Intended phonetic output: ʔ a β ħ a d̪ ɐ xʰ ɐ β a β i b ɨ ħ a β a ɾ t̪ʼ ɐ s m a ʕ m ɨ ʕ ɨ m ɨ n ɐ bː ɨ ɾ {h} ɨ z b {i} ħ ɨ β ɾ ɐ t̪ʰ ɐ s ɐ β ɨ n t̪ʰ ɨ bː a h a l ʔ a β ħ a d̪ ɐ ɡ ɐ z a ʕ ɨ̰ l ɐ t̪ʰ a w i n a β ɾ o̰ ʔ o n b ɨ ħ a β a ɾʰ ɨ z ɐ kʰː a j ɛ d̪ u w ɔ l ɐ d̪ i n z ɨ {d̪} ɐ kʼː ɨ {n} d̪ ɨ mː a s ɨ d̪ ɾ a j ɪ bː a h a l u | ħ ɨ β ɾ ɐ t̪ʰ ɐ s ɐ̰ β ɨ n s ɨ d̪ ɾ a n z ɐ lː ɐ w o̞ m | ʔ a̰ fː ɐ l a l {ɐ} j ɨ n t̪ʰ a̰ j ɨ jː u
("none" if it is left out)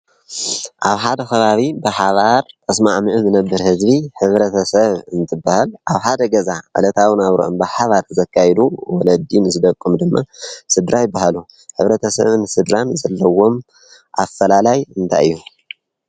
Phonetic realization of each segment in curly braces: h, i, d̪, m, a

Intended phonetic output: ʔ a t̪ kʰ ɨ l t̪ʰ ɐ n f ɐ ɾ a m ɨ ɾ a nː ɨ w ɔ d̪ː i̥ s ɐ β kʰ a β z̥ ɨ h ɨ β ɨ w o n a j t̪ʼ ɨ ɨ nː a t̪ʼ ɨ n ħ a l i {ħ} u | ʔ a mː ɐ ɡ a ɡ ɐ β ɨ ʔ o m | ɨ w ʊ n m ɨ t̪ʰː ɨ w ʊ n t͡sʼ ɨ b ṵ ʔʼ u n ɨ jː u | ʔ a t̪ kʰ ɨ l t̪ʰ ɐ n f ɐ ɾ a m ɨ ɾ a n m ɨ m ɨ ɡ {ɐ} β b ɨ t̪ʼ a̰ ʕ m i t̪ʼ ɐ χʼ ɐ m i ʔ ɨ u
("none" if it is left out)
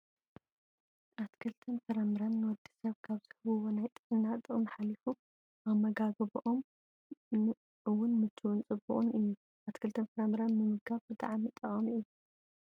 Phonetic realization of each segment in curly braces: f, a

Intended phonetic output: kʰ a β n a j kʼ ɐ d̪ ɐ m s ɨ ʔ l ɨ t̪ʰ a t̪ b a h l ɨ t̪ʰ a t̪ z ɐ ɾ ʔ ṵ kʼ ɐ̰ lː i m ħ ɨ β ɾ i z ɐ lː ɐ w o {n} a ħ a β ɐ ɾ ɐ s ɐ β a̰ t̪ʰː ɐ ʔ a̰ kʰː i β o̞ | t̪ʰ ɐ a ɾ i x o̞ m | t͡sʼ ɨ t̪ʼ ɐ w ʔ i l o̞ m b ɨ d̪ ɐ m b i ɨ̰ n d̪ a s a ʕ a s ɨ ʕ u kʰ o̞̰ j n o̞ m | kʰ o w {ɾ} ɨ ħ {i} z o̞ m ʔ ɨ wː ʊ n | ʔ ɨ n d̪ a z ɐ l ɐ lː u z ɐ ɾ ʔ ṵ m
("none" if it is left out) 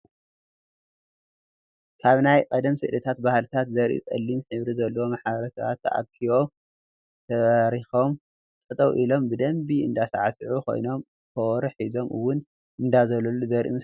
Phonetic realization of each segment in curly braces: m, ɾ, i

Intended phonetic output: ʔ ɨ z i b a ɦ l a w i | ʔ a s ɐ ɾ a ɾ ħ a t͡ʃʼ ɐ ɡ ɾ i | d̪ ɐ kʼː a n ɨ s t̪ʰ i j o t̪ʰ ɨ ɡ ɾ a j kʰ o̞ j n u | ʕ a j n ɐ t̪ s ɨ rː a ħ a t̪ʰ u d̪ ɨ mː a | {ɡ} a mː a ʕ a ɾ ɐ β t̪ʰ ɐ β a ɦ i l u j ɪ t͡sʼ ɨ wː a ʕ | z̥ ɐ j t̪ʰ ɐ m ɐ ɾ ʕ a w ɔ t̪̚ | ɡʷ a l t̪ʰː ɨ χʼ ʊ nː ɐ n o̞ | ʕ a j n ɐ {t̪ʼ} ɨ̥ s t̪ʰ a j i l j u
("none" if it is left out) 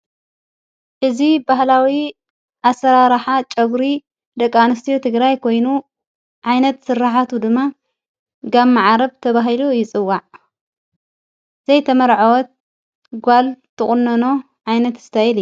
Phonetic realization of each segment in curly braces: ɡ, t̪

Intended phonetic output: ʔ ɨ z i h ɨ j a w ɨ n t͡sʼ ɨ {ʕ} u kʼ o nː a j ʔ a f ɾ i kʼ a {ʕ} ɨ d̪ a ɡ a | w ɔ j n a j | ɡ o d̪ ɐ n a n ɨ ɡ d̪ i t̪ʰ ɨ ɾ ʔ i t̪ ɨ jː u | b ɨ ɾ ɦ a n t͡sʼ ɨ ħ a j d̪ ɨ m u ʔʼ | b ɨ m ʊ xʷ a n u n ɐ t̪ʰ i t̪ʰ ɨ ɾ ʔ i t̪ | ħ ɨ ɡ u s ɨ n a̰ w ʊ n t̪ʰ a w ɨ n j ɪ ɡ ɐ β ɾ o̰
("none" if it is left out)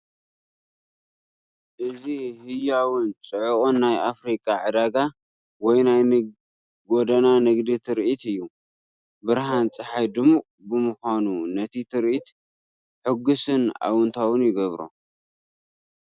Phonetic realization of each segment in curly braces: ʕ, ʕ

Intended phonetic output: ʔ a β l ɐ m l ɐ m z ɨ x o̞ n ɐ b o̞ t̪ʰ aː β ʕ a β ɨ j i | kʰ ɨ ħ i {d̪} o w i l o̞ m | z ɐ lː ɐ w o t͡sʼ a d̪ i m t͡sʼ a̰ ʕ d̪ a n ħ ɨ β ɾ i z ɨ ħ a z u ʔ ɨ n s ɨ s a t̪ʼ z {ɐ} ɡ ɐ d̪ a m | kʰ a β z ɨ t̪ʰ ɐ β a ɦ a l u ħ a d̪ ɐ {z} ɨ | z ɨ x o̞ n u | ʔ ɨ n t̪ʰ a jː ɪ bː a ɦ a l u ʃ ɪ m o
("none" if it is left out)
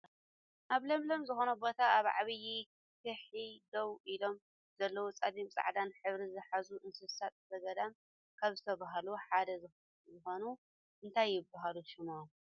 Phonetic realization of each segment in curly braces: d̪, ɐ, z

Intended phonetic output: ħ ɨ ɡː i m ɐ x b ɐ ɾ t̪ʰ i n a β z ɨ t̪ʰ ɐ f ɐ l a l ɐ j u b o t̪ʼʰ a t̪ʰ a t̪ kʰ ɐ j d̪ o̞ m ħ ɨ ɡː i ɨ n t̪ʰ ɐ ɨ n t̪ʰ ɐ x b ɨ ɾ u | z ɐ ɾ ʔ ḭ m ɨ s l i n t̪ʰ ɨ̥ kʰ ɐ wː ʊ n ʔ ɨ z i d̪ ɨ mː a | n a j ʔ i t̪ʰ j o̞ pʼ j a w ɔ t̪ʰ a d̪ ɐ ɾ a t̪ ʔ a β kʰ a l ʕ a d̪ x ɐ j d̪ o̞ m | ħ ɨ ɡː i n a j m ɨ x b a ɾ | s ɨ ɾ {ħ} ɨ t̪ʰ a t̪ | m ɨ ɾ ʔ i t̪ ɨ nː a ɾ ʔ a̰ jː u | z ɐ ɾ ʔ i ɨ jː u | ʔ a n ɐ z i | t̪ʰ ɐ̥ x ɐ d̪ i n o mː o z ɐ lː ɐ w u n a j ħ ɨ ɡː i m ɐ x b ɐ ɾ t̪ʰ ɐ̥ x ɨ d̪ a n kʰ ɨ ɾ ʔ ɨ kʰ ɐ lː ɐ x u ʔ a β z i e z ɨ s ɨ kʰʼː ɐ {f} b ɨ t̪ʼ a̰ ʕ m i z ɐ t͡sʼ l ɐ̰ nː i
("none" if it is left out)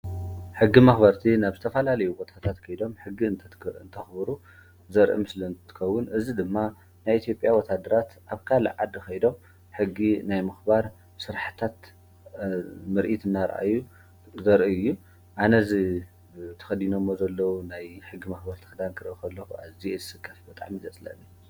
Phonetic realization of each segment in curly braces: ħ, f

